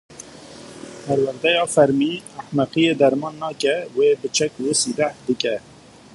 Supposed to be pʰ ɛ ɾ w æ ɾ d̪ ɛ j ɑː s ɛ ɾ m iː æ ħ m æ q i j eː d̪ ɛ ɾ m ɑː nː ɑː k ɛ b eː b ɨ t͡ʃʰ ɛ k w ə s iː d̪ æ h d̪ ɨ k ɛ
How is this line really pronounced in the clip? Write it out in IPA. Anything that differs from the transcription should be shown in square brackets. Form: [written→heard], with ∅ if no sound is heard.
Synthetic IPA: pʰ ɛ ɾ w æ ɾ d̪ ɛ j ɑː [s→f] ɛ ɾ m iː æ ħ m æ q i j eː d̪ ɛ ɾ m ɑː nː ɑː k ɛ [b→w] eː b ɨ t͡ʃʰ ɛ k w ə s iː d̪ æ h d̪ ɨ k ɛ

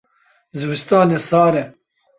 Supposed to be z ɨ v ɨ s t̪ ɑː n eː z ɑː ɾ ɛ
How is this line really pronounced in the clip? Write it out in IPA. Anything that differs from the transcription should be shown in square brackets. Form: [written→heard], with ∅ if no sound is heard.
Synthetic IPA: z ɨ [v→w] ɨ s t̪ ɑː n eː [z→s] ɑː ɾ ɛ

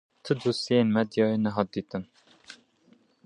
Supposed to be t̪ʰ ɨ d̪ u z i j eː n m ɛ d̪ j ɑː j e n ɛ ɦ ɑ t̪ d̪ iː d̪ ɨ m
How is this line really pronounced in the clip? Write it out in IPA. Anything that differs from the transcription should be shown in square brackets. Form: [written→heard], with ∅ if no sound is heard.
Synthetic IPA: t̪ʰ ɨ d̪ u [z→s] i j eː n m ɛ d̪ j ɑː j e n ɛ ɦ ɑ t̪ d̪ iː [d̪→t̪] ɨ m

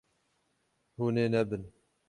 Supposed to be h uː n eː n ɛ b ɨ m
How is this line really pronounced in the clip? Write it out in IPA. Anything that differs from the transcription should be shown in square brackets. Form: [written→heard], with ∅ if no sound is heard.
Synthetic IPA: h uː n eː n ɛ b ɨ [m→n]

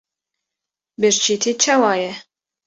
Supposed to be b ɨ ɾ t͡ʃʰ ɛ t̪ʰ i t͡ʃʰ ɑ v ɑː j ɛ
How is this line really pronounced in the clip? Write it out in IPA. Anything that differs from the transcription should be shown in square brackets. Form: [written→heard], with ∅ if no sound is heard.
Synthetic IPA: b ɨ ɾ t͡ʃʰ [ɛ→i] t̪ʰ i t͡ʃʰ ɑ [v→w] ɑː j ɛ

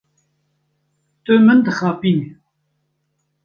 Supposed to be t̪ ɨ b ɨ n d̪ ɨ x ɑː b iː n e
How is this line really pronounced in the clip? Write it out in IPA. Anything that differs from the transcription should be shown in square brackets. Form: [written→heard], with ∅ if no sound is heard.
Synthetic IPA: t̪ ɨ [b→m] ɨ n d̪ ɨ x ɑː [b→p] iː n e

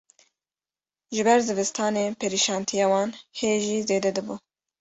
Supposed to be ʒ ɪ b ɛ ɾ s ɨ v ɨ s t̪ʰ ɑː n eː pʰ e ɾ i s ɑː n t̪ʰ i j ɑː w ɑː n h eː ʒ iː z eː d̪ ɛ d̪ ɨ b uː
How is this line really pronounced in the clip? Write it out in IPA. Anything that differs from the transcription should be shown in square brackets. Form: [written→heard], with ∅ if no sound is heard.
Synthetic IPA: ʒ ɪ b ɛ ɾ [s→z] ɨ v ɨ s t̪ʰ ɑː n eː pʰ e ɾ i [s→ʃ] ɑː n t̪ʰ i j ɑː w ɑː n h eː ʒ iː z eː d̪ ɛ d̪ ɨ b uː

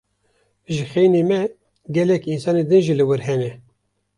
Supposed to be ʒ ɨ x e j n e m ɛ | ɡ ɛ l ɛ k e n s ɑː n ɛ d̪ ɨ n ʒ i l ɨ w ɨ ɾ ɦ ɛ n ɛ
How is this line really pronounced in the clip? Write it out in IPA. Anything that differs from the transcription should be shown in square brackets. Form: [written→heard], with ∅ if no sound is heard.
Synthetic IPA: ʒ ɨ x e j n e m ɛ | ɡ ɛ l ɛ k [e→i] n s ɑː n [ɛ→e] d̪ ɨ n ʒ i l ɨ w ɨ ɾ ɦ ɛ n ɛ

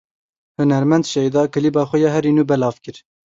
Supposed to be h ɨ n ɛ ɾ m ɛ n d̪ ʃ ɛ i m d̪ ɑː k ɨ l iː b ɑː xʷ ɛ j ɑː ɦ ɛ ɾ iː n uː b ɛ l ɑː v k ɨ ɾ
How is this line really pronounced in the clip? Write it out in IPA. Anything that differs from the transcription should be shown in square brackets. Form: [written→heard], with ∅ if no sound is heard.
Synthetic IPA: h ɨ n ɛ ɾ m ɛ n d̪ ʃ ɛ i [m→∅] d̪ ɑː k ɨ l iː b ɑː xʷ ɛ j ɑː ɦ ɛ ɾ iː n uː b ɛ l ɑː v k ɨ ɾ

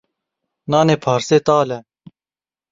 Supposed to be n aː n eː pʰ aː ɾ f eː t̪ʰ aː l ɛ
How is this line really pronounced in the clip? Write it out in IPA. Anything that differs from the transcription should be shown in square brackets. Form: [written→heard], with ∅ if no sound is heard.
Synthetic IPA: n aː n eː pʰ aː ɾ [f→s] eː [t̪ʰ→t̪] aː l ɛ

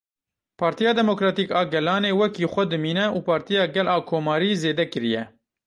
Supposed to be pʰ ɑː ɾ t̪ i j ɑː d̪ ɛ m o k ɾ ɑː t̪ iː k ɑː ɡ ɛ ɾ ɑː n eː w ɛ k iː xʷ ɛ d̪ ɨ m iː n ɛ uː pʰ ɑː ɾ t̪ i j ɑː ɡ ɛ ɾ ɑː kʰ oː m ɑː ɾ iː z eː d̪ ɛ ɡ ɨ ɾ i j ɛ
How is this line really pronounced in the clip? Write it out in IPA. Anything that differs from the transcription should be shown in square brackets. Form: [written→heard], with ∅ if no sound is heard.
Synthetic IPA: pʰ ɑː ɾ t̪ i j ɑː d̪ ɛ m o k ɾ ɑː t̪ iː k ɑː ɡ ɛ [ɾ→l] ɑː n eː w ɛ k iː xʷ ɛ d̪ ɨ m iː n ɛ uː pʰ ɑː ɾ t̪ i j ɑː ɡ ɛ [ɾ→l] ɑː kʰ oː m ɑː ɾ iː z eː d̪ ɛ [ɡ→k] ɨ ɾ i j ɛ

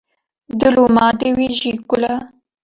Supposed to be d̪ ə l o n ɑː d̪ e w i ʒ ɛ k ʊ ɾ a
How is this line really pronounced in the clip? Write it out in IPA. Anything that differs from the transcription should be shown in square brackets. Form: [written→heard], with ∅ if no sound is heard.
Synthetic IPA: d̪ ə l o [n→m] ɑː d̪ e w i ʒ [ɛ→i] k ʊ [ɾ→l] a

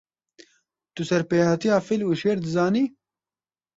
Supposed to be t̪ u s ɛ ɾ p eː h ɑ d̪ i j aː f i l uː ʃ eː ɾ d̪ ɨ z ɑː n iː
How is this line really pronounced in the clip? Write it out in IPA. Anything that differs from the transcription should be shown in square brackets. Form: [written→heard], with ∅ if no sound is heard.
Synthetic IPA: t̪ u s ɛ ɾ p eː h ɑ [d̪→t̪] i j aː f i l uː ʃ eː ɾ d̪ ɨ z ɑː n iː

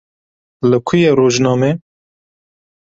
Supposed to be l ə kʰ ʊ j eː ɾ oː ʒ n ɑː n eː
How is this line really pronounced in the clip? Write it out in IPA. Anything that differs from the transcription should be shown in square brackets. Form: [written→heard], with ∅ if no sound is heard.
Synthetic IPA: l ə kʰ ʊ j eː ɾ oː ʒ n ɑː [n→m] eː

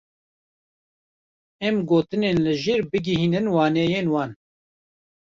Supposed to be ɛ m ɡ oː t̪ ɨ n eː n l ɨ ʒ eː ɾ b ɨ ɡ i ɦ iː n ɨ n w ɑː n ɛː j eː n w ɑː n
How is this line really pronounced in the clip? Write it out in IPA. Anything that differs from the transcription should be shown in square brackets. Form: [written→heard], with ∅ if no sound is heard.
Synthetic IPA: ɛ m ɡ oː t̪ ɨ n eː n l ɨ ʒ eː ɾ b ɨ ɡ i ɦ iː n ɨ n w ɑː n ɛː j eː n w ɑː n

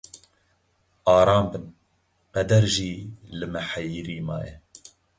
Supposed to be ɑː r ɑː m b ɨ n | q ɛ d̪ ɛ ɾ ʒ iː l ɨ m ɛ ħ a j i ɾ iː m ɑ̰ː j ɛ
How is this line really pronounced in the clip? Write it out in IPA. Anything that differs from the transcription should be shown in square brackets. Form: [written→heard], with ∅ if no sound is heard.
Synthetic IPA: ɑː [r→ɾ] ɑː m b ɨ n | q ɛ d̪ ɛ ɾ ʒ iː l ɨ m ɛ ħ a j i ɾ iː m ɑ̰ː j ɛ

